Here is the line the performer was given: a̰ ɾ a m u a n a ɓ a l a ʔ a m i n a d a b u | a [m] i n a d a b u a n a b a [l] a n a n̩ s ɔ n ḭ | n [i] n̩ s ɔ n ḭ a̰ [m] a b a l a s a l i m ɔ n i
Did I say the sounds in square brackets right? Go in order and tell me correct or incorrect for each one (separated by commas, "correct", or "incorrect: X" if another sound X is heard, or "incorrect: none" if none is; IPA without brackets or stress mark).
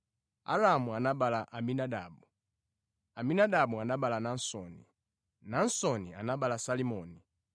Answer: correct, correct, incorrect: a, incorrect: n